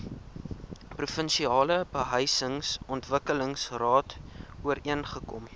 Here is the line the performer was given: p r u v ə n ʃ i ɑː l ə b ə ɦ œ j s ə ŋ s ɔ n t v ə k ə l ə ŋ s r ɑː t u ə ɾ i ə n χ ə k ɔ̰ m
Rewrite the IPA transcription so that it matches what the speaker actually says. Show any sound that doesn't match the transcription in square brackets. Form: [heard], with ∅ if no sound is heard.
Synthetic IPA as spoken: p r u [f] ə n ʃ i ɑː l ə b ə ɦ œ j s ə ŋ s ɔ n t v ə k ə l ə ŋ s r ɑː t u ə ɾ i ə n χ ə k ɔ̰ m